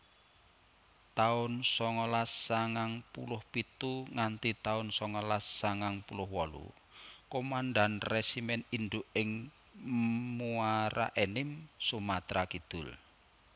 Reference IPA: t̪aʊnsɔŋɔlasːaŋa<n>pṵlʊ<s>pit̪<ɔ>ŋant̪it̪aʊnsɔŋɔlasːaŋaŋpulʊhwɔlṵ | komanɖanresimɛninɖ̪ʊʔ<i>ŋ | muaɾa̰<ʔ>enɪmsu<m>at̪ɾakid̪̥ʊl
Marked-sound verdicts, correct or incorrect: incorrect, incorrect, incorrect, incorrect, correct, correct

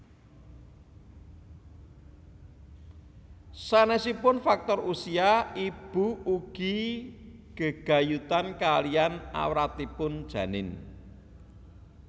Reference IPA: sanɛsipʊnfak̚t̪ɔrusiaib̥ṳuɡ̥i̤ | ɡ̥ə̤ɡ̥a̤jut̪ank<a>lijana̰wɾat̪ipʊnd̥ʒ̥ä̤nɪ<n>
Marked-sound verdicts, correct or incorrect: correct, correct

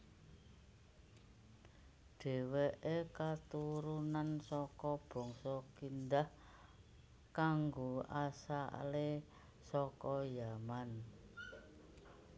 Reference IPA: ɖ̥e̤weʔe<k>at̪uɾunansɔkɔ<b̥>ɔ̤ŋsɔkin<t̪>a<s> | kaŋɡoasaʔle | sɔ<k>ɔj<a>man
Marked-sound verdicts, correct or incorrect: correct, correct, incorrect, incorrect, correct, correct

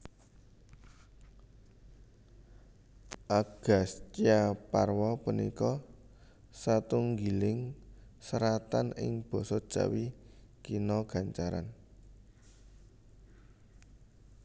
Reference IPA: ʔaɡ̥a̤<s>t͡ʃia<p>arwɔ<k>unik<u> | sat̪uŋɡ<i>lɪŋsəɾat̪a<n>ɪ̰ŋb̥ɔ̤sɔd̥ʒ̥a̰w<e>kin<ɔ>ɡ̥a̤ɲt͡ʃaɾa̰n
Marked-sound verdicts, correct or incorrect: correct, correct, incorrect, incorrect, correct, correct, incorrect, correct

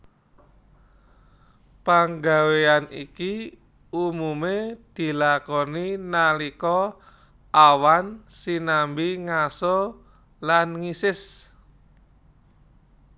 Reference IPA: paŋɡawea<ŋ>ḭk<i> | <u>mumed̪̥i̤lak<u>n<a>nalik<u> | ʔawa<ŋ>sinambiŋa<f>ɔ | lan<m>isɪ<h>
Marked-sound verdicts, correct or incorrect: incorrect, correct, correct, incorrect, incorrect, incorrect, incorrect, incorrect, incorrect, incorrect

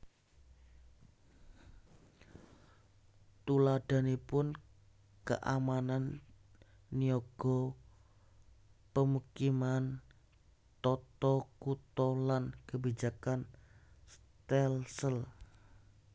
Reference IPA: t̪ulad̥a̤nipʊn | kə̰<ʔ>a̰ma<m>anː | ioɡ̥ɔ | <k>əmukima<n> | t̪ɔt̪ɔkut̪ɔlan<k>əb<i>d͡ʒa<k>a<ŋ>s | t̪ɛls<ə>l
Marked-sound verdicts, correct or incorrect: correct, incorrect, incorrect, correct, correct, correct, correct, incorrect, correct

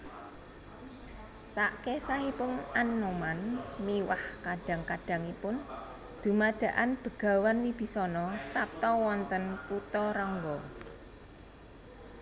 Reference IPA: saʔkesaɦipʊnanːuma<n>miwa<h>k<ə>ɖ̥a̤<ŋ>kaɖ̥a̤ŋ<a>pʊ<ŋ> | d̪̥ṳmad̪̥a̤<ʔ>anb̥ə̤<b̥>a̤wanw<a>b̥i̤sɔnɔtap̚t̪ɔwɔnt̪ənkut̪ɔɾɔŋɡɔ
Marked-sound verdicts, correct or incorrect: correct, correct, incorrect, correct, incorrect, incorrect, correct, incorrect, incorrect

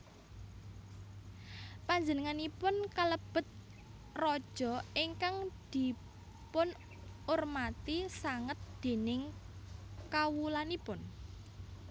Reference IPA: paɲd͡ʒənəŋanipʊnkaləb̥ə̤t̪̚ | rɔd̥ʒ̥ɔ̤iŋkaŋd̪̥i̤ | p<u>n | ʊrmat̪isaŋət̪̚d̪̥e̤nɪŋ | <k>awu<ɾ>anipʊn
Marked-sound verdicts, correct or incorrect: incorrect, correct, incorrect

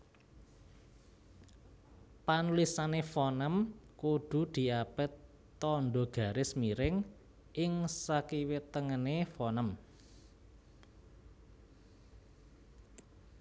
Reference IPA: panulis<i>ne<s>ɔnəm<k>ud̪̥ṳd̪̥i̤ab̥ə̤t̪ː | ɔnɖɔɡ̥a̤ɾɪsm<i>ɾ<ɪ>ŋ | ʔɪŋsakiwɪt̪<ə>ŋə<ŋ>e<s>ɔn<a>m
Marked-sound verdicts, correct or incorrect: incorrect, incorrect, correct, correct, correct, correct, incorrect, incorrect, incorrect

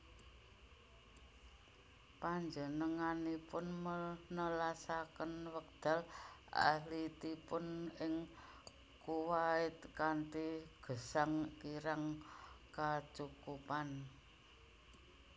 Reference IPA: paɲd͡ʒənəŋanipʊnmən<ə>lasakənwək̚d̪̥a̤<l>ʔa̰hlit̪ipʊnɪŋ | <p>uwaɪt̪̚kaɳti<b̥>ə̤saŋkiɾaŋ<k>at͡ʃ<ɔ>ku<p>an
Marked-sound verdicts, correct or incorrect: correct, correct, incorrect, incorrect, correct, incorrect, correct

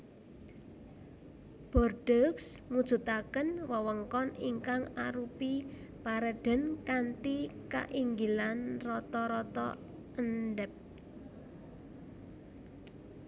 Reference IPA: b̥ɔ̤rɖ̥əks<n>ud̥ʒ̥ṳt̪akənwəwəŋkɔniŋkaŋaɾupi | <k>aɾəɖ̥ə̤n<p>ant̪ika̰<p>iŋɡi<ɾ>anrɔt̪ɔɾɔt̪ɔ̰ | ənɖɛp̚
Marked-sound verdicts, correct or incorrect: incorrect, incorrect, incorrect, incorrect, incorrect

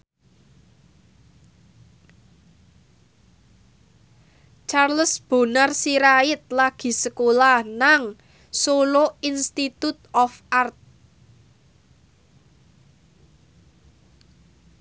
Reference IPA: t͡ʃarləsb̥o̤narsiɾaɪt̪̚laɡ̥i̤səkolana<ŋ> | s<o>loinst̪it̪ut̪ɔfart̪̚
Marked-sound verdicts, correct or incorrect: correct, correct

